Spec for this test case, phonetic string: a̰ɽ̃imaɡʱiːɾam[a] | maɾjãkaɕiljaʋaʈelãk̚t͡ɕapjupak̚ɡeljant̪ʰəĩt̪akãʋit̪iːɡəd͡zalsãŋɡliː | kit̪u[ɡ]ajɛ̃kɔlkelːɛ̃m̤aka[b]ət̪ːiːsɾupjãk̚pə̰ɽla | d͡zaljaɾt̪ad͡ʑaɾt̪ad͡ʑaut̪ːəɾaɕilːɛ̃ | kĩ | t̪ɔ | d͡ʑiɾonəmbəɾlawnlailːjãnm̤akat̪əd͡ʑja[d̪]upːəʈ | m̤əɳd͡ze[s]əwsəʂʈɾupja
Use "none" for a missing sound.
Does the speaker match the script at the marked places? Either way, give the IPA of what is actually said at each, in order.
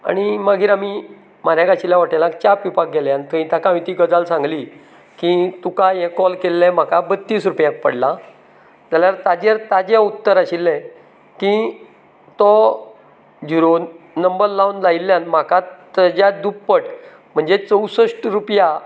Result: i, k, b, d̪, t͡s

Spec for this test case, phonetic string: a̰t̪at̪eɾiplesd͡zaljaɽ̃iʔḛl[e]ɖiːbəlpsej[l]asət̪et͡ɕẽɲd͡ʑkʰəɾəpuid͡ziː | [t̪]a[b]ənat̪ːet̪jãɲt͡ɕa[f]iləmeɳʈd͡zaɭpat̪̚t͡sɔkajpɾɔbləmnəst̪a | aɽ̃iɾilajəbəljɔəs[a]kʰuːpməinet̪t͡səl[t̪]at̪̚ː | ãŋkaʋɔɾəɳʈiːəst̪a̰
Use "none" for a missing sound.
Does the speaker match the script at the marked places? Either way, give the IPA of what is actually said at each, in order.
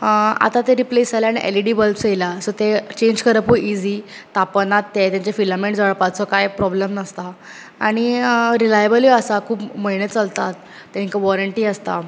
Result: i, l, t̪, p, f, a, t̪

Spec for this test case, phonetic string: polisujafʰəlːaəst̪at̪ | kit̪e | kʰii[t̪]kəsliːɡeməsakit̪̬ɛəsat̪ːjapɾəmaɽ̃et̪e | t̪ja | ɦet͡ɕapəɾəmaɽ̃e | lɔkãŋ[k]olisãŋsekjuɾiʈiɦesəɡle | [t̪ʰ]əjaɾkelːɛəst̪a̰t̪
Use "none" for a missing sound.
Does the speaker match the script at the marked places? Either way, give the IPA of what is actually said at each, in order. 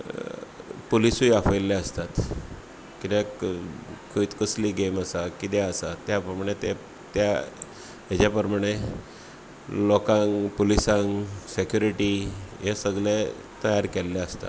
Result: t̪, p, t̪

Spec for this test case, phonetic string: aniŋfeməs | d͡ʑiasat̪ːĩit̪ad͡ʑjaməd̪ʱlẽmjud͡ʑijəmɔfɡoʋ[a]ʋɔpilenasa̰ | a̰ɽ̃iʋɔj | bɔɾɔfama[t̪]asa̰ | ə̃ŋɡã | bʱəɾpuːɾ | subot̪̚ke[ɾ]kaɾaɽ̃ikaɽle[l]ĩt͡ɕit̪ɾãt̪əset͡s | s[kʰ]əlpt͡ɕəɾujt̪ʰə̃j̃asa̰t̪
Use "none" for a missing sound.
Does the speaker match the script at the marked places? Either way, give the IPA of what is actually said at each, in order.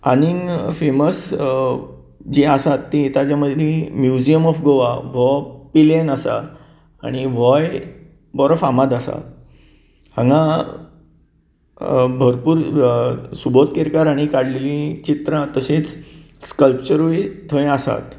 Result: a, d̪, ɾ, l, k

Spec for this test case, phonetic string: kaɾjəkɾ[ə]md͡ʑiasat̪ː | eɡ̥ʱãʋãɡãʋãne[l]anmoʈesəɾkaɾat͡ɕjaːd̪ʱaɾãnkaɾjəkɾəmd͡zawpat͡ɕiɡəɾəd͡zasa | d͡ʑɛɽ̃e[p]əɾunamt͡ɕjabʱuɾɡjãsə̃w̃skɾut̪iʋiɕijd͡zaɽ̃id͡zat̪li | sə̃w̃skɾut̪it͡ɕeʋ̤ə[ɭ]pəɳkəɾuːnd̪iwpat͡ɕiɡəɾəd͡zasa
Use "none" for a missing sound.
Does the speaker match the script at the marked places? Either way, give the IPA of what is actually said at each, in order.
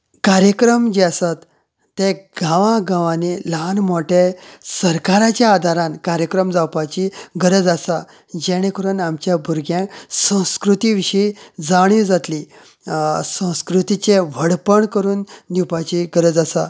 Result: ə, l, k, ɽ

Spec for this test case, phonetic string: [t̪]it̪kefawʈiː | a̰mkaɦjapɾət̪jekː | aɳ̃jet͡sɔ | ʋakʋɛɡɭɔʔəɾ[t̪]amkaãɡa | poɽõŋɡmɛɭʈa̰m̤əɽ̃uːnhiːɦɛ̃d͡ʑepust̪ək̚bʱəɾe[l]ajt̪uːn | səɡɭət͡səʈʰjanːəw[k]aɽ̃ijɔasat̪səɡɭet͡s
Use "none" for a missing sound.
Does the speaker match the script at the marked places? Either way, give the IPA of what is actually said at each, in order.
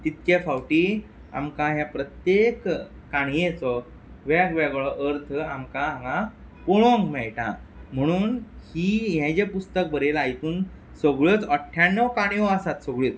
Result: t̪, t̪ʰ, l, k

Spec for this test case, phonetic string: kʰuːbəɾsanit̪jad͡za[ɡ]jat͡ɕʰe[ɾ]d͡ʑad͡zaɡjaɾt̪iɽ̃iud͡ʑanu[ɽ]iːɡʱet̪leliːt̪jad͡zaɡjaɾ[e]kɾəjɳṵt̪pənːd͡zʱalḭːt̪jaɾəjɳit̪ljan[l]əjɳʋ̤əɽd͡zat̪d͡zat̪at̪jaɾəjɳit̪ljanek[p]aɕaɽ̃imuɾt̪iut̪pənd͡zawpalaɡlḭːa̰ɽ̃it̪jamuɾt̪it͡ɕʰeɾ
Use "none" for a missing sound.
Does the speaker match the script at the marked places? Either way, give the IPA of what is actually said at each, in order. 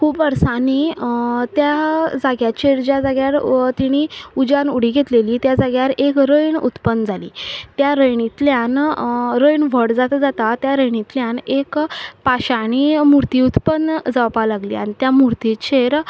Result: ɡ, ɾ, ɽ, e, ɾ, p

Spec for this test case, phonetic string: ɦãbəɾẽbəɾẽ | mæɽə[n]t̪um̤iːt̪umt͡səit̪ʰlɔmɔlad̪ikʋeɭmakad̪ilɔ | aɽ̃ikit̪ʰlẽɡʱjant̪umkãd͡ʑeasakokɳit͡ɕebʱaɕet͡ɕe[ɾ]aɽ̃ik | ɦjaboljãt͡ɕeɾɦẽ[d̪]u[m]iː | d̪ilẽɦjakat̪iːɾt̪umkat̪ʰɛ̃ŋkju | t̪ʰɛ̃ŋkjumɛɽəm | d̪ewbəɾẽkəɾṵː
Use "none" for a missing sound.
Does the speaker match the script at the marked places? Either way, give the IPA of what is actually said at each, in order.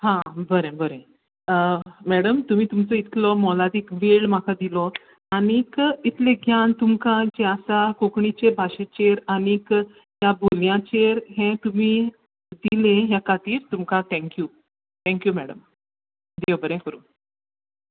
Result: m, ɾ, t̪, m

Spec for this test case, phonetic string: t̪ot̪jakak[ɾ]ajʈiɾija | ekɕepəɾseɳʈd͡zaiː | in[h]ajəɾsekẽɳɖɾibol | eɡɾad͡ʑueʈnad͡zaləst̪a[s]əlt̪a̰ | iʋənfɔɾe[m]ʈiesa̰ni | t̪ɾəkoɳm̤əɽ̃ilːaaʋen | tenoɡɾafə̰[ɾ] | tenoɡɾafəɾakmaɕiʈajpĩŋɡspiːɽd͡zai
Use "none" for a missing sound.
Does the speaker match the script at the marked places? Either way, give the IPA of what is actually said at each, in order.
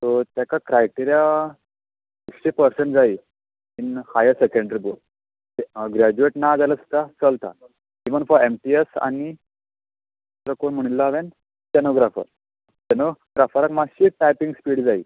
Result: ɾ, h, t͡s, m, ɾ

